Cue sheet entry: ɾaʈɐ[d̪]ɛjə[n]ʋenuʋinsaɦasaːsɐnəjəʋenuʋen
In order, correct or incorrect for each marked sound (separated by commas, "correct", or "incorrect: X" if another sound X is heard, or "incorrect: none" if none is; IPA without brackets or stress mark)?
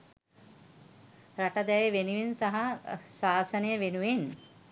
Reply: correct, incorrect: none